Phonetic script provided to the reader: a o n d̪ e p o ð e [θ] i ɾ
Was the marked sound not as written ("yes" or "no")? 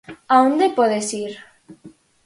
yes